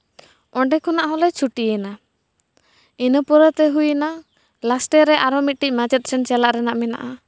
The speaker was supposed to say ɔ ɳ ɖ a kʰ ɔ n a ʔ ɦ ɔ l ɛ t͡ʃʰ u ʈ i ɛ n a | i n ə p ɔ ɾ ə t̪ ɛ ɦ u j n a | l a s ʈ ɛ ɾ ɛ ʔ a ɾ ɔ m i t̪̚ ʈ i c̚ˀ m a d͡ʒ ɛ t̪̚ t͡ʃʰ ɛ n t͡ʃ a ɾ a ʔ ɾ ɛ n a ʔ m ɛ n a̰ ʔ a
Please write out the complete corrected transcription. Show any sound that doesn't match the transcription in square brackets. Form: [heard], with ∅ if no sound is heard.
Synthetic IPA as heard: ɔ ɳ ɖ [ɛ] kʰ ɔ n a ʔ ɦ ɔ l ɛ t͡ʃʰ u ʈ i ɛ n a | i n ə p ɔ ɾ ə t̪ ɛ ɦ u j n a | l a s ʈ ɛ ɾ ɛ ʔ a ɾ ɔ m i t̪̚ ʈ i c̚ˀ m a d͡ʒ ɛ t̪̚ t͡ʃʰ ɛ n t͡ʃ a [l] a ʔ ɾ ɛ n a ʔ m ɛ n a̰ ʔ a